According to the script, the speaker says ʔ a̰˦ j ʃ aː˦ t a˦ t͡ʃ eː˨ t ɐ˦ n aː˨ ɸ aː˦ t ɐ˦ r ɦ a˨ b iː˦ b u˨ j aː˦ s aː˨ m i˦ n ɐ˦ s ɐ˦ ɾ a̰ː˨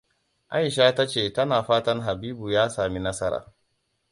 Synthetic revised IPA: ʔ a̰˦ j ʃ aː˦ t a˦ t͡ʃ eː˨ t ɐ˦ n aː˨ ɸ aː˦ t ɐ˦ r ɦ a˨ b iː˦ b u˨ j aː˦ s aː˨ m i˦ n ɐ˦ s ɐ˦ ɾ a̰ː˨